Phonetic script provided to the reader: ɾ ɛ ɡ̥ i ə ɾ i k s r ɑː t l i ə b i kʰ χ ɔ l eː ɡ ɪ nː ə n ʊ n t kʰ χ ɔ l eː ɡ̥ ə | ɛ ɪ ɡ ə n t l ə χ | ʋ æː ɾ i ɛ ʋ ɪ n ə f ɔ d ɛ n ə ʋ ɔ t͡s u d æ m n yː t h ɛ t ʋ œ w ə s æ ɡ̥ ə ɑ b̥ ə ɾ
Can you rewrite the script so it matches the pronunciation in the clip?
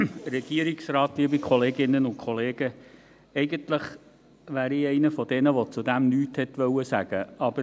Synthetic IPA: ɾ ɛ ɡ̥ i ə ɾ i k s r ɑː t l i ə b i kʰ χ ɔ l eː ɡ ɪ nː ə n ʊ n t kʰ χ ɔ l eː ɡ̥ ə | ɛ ɪ ɡ ə n t l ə χ | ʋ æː ɾ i ɛ ɪ n ə f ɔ d ɛ n ə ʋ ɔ t͡s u d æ m n yː t h ɛ t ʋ œ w ə s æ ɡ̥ ə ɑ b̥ ə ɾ